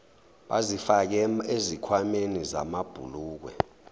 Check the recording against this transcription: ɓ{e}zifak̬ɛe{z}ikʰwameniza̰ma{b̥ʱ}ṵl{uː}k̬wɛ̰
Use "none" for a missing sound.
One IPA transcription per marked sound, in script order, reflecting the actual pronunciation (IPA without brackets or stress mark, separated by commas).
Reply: a, z, b̥ʱ, uː